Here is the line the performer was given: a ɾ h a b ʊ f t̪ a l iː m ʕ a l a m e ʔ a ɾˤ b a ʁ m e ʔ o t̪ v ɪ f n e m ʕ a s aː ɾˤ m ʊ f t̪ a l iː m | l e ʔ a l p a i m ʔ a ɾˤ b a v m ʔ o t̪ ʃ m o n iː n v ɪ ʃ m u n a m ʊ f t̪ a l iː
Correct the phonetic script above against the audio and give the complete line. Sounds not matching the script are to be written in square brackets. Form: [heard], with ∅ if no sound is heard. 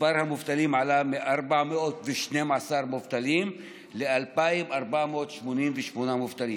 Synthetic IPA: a ɾ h a [m] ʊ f t̪ a l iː m ʕ a l a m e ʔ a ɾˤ b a [ʕ] m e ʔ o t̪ v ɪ [ʃ] n e m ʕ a s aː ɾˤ m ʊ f t̪ a l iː m | l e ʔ a l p a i m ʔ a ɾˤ b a [ʕ] m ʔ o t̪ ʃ m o n iː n v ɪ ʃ m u n a m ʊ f t̪ a l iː